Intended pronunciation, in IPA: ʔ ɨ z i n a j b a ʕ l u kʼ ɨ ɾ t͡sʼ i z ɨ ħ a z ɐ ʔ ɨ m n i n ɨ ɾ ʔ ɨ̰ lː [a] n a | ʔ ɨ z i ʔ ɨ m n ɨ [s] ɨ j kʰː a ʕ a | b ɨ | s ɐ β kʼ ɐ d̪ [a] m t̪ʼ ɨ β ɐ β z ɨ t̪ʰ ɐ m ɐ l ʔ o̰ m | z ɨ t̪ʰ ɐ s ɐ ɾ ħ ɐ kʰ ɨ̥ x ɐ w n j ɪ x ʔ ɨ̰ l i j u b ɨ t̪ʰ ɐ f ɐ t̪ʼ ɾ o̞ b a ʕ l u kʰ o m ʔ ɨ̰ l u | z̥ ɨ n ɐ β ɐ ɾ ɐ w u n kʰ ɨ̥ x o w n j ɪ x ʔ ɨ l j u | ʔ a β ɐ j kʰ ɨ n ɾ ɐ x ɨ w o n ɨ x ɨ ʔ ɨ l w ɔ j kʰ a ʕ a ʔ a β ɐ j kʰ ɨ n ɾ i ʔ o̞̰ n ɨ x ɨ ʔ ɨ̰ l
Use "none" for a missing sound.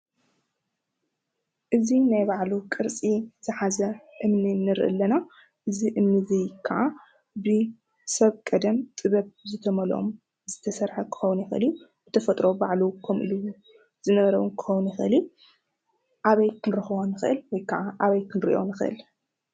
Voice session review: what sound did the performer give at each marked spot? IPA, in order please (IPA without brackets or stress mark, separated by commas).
ɐ, z, ɐ